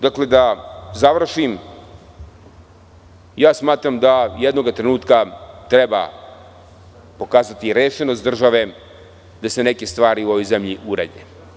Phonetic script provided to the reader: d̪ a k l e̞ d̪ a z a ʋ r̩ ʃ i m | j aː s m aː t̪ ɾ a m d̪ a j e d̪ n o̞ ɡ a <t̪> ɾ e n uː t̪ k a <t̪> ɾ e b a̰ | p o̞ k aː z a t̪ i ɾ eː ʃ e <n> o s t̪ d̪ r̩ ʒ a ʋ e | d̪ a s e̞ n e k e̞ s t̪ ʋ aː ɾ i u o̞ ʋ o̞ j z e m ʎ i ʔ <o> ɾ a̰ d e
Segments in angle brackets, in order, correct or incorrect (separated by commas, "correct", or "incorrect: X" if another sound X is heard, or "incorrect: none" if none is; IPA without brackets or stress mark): correct, correct, correct, incorrect: u